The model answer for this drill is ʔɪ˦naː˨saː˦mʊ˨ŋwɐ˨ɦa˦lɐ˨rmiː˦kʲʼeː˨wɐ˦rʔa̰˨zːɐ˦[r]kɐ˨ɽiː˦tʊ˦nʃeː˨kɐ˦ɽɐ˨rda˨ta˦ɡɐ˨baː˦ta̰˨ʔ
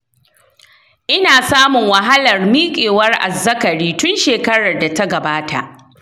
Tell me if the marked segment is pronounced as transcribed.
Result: no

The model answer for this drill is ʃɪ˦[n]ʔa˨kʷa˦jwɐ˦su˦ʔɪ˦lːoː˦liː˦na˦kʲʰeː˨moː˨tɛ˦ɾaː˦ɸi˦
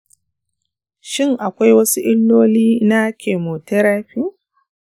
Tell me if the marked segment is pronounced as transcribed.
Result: no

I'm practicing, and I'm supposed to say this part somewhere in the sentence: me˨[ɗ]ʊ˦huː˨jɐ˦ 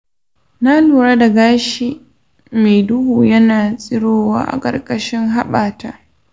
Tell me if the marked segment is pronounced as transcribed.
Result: no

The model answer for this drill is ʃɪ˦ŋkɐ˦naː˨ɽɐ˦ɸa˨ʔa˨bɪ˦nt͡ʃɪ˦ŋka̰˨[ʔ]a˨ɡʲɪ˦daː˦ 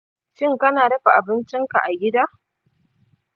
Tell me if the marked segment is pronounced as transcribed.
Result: yes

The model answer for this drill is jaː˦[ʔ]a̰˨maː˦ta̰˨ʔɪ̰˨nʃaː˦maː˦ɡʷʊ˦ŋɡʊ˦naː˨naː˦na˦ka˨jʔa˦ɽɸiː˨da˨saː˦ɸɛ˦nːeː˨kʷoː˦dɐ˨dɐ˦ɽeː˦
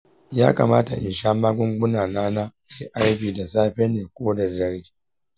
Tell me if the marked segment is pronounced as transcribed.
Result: no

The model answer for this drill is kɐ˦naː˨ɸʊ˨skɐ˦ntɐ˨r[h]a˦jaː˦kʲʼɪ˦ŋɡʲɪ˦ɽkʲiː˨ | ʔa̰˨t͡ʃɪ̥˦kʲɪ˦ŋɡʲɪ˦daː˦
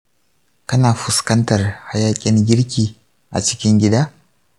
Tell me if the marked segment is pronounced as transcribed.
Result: yes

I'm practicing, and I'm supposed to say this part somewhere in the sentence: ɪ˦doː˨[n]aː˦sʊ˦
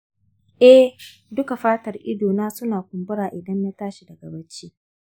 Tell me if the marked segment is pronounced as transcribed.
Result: yes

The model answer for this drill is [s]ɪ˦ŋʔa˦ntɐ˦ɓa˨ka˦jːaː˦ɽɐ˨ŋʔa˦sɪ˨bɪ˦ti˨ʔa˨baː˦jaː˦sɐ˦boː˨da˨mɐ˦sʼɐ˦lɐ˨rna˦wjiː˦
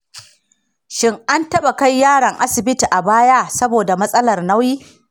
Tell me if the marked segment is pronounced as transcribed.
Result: no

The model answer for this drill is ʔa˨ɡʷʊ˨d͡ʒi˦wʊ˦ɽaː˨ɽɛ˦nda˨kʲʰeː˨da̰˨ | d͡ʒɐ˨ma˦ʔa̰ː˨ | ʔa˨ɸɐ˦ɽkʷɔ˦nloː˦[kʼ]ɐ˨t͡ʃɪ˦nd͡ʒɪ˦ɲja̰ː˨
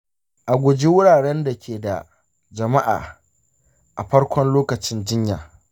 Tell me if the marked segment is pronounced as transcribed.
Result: no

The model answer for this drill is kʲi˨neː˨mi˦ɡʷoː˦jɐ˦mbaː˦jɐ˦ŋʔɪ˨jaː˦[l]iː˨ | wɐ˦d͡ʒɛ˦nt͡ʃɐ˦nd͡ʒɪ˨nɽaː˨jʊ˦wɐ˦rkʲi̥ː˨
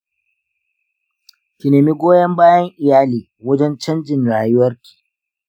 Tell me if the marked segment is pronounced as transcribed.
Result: yes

